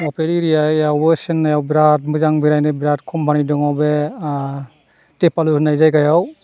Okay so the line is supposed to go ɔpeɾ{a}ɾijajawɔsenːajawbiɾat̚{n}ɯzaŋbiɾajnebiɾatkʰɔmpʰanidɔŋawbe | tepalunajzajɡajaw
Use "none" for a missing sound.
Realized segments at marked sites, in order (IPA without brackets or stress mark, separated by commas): i, m